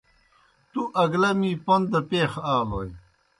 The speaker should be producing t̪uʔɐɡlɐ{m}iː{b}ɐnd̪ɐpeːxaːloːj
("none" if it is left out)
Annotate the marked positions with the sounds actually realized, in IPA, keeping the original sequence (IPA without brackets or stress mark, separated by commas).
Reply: m, p